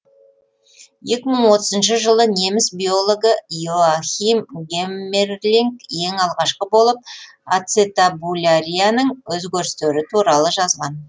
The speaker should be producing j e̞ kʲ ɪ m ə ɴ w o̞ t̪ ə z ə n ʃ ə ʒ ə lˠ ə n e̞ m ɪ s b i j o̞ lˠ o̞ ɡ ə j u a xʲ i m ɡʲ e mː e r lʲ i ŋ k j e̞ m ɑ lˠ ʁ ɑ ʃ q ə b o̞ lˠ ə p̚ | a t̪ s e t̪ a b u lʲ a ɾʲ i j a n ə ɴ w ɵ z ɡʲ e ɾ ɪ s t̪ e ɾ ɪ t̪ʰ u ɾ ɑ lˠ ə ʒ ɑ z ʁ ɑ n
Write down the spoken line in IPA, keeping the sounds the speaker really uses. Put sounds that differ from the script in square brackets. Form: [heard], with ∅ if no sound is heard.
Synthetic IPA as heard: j e̞ kʲ ɪ m ə ɴ w o̞ t̪ ə z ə n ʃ ə ʒ ə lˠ ə n e̞ m ɪ s b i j o̞ lˠ o̞ ɡ ə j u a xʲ i m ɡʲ e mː e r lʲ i ŋ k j e̞ [ŋ] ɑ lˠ ʁ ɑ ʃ q ə b o̞ lˠ ə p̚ | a t̪ s e t̪ a b u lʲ a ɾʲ i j a n ə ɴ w ɵ z ɡʲ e ɾ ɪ s t̪ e ɾ ɪ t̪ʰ u ɾ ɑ lˠ ə ʒ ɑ z ʁ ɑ n